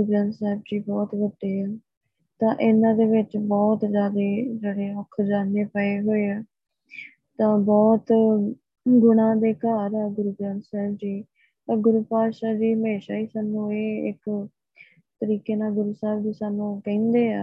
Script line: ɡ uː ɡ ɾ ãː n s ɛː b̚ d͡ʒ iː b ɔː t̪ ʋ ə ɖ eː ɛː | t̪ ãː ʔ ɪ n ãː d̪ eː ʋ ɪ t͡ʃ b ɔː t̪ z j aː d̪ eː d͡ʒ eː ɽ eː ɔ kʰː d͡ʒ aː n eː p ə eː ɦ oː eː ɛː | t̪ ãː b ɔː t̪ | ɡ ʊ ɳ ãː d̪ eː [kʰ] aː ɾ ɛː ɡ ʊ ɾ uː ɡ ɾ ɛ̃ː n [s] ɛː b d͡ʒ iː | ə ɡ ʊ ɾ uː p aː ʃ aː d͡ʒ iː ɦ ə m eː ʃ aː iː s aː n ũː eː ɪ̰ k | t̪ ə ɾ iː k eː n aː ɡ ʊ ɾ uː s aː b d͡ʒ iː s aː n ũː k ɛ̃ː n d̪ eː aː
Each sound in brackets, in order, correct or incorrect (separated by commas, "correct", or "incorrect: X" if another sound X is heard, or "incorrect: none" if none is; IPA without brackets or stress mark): incorrect: k, correct